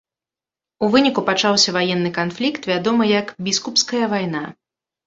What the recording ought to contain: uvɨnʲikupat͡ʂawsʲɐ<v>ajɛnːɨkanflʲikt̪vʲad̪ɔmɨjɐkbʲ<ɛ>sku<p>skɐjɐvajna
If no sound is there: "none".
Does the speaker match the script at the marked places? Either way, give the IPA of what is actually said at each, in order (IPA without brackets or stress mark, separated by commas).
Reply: v, i, p